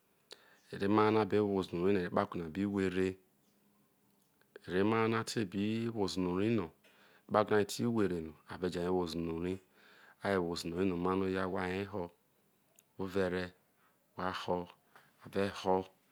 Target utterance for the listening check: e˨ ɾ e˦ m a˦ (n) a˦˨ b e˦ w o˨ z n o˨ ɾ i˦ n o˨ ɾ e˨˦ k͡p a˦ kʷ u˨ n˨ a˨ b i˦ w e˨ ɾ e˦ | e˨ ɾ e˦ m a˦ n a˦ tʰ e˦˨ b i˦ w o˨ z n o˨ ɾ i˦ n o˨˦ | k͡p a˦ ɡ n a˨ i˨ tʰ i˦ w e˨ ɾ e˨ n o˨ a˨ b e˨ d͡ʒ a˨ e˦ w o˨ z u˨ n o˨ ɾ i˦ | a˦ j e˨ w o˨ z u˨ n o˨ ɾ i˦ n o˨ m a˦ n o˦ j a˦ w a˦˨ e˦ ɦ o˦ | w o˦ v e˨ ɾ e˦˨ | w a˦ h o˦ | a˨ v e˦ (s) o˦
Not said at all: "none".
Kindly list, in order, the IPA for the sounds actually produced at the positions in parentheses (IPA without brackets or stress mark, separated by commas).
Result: n, h